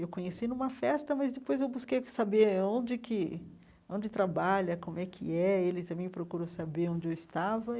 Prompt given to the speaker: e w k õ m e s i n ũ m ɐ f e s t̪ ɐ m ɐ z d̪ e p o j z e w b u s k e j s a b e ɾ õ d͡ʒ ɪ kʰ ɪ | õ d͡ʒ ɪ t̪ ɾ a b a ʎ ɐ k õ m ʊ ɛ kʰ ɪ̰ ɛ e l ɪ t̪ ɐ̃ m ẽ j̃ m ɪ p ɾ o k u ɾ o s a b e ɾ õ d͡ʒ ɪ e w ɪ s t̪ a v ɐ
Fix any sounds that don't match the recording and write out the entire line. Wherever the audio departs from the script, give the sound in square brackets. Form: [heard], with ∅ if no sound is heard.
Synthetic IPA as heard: e w k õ [ɲ] e s i n ũ m ɐ f [ɛ] s t̪ ɐ m ɐ z d̪ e p o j z e w b u s k e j s a b e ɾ õ d͡ʒ ɪ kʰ ɪ | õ d͡ʒ ɪ t̪ ɾ a b a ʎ ɐ k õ m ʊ ɛ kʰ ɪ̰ ɛ e l ɪ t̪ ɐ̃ m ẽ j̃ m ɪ p ɾ o k u ɾ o s a b e ɾ õ d͡ʒ ɪ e w ɪ s t̪ a v ɐ